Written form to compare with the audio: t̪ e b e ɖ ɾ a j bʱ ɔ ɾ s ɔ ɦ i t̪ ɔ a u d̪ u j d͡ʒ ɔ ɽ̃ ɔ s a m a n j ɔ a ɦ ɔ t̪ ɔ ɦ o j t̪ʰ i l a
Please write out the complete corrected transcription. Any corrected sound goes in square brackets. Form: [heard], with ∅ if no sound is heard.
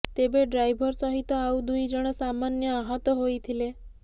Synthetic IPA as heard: t̪ e b e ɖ ɾ a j bʱ ɔ ɾ s ɔ ɦ i t̪ ɔ a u d̪ u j d͡ʒ ɔ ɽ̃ ɔ s a m a n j ɔ a ɦ ɔ t̪ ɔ ɦ o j t̪ʰ i l [e]